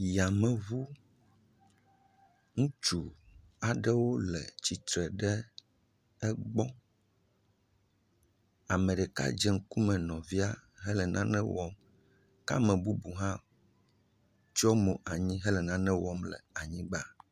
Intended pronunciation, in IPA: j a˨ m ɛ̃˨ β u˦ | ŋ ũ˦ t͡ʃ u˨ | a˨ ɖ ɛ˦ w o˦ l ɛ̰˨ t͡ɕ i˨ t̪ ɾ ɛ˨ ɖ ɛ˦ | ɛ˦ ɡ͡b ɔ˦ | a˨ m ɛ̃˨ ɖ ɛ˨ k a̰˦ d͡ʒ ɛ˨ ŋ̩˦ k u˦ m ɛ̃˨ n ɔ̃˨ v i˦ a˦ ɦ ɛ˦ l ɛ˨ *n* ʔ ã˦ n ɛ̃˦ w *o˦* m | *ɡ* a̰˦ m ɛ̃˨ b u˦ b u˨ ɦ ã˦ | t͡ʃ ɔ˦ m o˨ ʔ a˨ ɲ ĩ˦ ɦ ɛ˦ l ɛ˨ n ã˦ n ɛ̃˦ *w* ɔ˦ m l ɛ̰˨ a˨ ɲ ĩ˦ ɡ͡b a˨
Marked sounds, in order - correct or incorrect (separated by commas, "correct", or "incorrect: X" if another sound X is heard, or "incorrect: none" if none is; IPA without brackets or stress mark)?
correct, incorrect: ɔ˦, incorrect: k, correct